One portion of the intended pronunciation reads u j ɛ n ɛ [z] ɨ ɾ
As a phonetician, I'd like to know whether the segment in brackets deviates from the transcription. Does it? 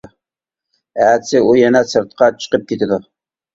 yes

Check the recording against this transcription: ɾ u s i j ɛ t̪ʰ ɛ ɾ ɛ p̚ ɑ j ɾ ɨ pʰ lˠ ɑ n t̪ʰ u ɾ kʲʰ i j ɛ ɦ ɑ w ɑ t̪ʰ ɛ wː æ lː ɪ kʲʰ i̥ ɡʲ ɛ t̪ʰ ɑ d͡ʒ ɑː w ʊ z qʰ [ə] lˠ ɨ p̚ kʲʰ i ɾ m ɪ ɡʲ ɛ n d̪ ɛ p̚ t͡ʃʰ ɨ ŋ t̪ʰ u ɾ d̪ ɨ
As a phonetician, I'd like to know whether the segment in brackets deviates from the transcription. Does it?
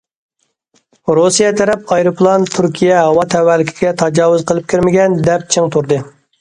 no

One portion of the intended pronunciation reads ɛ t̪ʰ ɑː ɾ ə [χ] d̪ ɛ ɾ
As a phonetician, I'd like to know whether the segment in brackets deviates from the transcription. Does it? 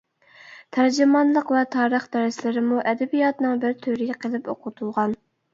no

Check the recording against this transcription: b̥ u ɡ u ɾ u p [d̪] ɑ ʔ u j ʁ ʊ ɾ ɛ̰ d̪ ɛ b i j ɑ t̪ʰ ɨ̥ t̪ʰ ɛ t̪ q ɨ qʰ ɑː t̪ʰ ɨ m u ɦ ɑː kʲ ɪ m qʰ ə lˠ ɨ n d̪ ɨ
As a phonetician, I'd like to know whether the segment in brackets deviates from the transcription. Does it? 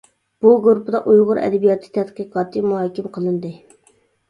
no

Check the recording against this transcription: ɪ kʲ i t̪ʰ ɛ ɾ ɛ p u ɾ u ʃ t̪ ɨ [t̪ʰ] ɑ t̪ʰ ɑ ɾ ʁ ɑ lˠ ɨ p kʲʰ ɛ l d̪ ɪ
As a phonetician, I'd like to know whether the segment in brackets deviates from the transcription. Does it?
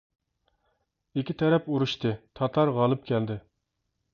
no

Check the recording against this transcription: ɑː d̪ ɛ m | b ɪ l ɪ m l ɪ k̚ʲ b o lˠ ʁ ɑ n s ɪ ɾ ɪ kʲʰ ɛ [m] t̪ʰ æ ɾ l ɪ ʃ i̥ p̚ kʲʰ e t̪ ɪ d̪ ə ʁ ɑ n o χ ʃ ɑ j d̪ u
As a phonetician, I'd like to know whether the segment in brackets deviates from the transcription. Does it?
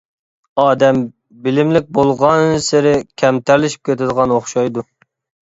no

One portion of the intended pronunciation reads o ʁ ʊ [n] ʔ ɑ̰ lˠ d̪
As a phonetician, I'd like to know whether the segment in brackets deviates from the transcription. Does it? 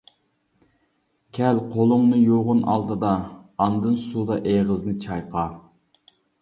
no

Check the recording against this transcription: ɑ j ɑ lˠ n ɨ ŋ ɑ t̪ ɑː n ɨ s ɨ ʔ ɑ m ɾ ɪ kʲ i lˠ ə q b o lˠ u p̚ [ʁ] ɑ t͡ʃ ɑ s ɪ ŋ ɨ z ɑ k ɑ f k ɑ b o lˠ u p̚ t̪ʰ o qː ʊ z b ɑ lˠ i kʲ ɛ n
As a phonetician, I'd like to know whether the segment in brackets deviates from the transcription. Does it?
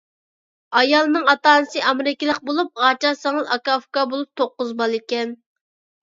no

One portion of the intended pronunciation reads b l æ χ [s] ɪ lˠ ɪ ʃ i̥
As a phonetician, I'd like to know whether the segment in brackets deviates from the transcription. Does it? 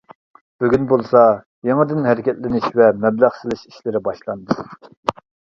no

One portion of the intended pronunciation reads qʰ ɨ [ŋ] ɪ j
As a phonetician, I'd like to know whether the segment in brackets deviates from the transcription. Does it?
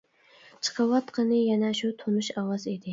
yes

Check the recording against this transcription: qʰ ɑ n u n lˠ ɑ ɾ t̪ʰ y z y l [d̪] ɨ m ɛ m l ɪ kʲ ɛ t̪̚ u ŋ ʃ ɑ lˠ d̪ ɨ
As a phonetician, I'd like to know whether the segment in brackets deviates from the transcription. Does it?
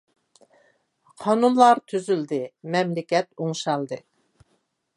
no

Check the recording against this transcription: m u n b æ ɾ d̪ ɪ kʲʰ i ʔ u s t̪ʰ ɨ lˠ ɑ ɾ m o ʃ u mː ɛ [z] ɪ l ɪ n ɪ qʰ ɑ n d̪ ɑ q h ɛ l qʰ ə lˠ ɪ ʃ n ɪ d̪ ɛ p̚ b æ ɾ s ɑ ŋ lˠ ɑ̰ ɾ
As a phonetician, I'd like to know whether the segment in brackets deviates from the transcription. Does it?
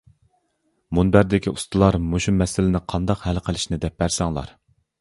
yes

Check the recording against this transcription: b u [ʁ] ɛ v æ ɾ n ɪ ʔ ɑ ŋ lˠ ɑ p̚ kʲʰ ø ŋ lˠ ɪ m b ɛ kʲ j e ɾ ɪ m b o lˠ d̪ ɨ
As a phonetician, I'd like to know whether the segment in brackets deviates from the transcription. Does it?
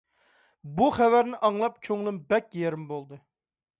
yes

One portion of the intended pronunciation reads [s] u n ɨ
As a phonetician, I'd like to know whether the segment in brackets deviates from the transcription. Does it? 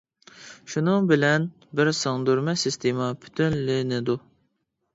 yes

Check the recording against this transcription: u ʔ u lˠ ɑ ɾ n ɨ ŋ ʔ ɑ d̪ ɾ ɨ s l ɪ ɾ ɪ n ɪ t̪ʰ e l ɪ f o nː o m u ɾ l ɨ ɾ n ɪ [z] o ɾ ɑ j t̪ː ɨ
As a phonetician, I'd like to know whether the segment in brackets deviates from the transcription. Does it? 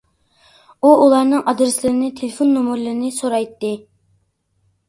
yes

